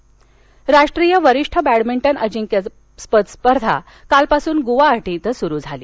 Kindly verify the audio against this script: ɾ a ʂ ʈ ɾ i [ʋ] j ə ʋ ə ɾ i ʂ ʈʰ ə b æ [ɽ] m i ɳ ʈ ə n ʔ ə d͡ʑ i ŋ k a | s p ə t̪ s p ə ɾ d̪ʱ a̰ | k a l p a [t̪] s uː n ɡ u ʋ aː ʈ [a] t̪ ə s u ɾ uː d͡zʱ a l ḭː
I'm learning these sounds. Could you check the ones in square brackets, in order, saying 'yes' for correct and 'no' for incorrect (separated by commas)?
no, yes, no, no